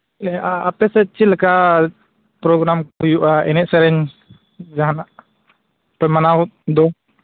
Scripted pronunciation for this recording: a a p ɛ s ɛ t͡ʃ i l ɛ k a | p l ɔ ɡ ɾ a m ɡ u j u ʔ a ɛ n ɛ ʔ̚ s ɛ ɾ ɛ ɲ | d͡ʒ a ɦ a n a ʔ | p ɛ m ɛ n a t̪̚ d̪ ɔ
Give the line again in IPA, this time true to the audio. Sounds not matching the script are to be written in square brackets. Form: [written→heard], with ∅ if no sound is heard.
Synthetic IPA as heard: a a p ɛ s ɛ t͡ʃ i l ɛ k a | p [l→ɾ] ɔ ɡ ɾ a m [ɡ→k] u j u ʔ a ɛ n ɛ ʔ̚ s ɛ ɾ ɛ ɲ | d͡ʒ a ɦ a n a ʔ | p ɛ m [ɛ→a] n a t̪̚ d̪ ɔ

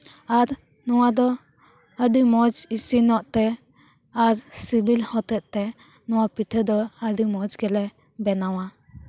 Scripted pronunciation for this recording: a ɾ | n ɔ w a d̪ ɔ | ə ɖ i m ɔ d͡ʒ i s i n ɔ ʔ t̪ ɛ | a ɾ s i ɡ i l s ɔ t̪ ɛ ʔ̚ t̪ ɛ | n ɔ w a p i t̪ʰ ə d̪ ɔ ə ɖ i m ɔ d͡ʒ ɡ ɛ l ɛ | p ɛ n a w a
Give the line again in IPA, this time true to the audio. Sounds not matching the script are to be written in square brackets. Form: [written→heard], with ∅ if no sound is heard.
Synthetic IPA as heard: a ɾ | n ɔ w a d̪ ɔ | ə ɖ i m ɔ d͡ʒ i s i n ɔ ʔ t̪ ɛ | a ɾ s i [ɡ→b] i l [s→h] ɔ t̪ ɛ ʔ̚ t̪ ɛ | n ɔ w a p i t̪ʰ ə d̪ ɔ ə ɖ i m ɔ d͡ʒ ɡ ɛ l ɛ | [p→b] ɛ n a w a

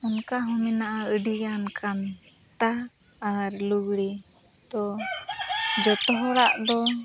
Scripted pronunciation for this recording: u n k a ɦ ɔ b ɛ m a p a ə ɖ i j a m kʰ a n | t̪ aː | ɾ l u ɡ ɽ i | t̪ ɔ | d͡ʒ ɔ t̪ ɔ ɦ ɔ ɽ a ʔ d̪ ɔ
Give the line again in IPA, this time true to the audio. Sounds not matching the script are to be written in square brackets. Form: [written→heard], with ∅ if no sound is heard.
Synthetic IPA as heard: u n k a ɦ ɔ [b→m] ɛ [m→n] a [p→ʔ] a ə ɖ i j a [m→n] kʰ a n | t̪ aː | ɾ l u ɡ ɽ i | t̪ ɔ | d͡ʒ ɔ t̪ ɔ ɦ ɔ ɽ a ʔ d̪ ɔ

